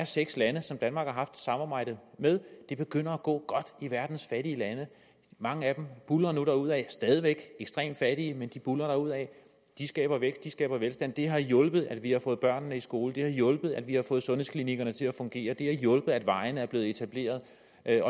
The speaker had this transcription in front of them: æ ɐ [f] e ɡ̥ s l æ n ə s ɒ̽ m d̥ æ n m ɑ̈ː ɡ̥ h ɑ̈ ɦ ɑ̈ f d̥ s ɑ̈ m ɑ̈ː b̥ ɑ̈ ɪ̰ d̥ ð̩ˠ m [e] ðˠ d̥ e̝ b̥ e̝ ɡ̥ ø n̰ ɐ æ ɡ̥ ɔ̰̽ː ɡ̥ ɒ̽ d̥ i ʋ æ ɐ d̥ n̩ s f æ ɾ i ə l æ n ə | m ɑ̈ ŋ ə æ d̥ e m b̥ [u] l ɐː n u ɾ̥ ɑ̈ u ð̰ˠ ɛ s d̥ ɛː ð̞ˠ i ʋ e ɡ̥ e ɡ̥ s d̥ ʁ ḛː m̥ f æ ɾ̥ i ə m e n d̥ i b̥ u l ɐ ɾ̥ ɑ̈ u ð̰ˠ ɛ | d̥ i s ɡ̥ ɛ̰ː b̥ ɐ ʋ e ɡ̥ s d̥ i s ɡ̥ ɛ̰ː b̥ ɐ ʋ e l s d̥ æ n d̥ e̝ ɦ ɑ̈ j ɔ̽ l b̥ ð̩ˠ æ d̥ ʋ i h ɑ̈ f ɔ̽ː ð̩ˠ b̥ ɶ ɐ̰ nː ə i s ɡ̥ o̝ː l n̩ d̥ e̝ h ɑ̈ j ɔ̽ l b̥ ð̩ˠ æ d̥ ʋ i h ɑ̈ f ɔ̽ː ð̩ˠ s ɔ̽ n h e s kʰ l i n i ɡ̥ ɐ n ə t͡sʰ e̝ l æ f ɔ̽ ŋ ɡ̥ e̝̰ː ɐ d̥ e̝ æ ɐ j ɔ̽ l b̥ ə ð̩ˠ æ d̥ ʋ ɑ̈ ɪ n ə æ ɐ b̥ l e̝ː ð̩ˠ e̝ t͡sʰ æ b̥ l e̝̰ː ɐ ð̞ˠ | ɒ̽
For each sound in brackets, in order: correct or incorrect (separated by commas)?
incorrect, correct, correct